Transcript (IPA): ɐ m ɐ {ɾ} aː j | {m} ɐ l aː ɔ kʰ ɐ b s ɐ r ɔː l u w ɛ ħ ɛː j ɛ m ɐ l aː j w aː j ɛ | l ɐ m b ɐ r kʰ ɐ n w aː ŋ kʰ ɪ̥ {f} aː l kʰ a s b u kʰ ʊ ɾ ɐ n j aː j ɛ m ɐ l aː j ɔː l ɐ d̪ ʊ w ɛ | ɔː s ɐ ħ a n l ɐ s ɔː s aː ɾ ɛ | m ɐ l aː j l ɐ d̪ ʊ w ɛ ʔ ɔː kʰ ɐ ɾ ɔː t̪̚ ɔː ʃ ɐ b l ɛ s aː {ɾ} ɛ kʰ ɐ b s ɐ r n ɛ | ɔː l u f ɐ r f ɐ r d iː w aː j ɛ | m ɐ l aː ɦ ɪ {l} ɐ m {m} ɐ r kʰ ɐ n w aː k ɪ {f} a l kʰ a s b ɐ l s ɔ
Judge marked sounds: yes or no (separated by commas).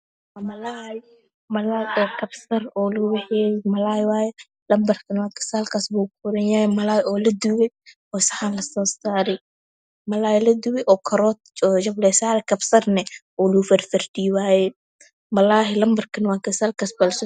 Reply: no, yes, no, yes, yes, no, no